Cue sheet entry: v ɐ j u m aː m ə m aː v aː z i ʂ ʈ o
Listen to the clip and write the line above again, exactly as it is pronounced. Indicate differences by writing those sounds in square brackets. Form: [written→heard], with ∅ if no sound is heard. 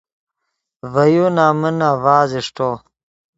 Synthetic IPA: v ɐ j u [m→n] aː m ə [m→n] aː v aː z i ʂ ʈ o